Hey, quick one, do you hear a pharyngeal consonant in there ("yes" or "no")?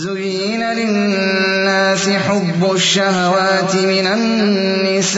yes